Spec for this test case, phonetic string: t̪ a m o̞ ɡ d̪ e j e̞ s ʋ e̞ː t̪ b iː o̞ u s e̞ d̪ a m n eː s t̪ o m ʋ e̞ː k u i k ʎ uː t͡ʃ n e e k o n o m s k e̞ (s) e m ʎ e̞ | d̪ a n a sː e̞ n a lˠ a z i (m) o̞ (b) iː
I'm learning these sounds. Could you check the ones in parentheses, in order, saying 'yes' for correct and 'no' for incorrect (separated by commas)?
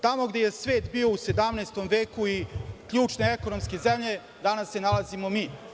no, yes, no